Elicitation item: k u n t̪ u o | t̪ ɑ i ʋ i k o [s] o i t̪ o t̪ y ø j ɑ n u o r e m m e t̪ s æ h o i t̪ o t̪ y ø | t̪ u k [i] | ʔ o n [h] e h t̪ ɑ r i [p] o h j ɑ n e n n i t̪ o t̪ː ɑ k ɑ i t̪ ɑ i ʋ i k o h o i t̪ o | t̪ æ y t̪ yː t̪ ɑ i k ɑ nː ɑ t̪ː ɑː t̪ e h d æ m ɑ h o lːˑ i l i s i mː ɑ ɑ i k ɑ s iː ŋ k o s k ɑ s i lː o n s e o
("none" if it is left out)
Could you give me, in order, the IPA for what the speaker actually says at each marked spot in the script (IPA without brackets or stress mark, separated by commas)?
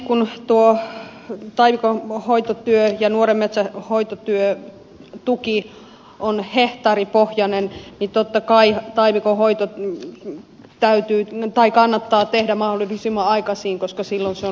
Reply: h, i, h, p